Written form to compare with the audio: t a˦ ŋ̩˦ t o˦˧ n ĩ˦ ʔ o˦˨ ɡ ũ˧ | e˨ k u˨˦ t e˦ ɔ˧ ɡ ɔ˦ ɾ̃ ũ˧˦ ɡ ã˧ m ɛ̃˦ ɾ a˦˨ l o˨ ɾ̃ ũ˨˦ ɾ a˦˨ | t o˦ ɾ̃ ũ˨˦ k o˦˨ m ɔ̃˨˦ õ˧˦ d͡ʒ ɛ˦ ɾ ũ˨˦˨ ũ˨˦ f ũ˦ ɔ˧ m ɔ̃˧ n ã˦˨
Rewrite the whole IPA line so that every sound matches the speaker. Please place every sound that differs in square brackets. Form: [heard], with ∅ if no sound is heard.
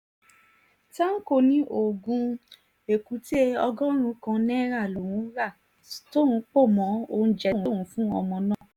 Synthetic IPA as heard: t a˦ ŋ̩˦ [k] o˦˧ n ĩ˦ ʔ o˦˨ ɡ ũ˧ | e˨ k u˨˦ t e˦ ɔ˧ ɡ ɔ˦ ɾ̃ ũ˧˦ [k] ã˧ [n] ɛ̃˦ ɾ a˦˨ l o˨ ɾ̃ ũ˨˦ ɾ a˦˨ | t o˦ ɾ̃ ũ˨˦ [k͡p] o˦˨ m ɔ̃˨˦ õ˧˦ d͡ʒ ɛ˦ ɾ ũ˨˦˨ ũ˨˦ f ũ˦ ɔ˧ m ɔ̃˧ n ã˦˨